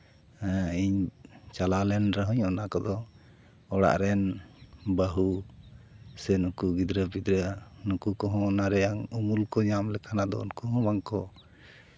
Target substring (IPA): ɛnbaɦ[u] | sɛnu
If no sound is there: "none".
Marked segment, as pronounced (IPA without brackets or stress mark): u